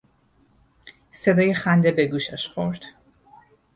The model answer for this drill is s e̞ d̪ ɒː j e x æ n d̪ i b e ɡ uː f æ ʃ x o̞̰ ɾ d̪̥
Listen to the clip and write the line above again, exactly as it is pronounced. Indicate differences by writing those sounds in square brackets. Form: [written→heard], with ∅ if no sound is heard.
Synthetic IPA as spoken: s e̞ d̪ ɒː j e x æ n d̪ [i→e] b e ɡ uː [f→ʃ] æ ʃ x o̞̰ ɾ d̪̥